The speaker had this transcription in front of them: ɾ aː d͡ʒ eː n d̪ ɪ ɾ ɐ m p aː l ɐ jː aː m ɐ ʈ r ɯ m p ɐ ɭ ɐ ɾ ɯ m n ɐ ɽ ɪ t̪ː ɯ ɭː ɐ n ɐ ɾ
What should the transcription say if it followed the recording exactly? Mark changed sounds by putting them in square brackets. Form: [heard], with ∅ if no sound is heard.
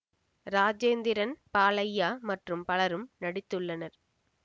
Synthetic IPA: ɾ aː d͡ʒ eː n d̪ ɪ ɾ ɐ [n] p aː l ɐ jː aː m ɐ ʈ r ɯ m p ɐ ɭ ɐ ɾ ɯ m n ɐ ɽ ɪ t̪ː ɯ ɭː ɐ n ɐ ɾ